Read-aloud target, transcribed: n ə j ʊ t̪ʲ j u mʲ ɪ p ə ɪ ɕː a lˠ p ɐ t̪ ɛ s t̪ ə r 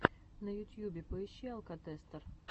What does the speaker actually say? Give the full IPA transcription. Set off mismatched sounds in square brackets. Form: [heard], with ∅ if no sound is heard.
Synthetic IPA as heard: n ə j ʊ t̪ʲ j u [bʲ] ɪ p ə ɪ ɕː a lˠ [k] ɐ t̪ ɛ s t̪ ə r